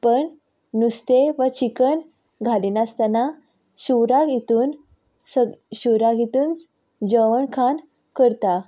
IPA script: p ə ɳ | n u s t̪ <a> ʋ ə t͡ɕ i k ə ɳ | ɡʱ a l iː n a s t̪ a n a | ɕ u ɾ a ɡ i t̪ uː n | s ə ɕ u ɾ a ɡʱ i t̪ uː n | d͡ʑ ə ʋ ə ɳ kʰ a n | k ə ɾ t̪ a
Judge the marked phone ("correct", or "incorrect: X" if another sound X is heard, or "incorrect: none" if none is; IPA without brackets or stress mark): incorrect: e